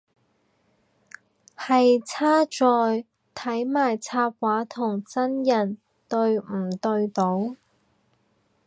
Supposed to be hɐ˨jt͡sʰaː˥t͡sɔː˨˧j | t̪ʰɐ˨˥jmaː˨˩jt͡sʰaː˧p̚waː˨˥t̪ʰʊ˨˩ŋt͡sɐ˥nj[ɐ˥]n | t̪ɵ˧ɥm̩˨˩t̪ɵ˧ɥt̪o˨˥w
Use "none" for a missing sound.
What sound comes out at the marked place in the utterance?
ɐ˨˩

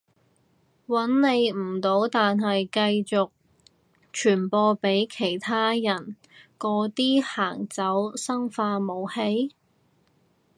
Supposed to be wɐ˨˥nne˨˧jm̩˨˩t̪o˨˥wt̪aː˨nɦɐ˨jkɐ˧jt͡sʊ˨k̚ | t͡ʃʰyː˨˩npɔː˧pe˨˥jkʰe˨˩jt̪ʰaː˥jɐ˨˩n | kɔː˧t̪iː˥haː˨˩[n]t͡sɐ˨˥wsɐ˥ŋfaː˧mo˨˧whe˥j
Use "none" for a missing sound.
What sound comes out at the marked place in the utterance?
ŋ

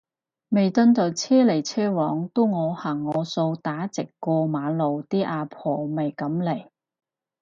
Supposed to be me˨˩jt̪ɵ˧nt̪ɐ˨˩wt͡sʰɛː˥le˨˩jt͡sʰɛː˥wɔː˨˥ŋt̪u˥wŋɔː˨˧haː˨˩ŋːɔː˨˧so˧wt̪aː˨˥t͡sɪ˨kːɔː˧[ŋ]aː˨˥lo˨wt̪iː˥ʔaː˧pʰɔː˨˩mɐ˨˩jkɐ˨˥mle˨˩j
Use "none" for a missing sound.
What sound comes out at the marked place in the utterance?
m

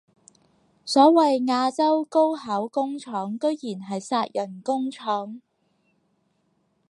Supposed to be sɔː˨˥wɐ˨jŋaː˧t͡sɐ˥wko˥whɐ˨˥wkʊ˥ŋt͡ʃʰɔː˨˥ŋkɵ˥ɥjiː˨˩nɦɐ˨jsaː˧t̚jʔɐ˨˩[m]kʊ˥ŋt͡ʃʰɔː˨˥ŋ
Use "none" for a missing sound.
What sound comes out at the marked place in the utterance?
n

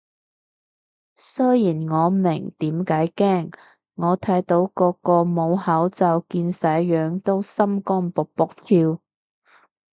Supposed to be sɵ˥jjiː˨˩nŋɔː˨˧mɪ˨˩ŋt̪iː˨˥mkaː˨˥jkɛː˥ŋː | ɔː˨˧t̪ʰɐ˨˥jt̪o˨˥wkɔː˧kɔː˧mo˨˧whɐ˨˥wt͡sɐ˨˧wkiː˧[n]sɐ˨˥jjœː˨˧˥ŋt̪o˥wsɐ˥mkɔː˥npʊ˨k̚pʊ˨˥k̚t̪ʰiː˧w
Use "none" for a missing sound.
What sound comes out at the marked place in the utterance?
n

